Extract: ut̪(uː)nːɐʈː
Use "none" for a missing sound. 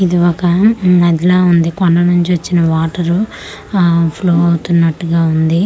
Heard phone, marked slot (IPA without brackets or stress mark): u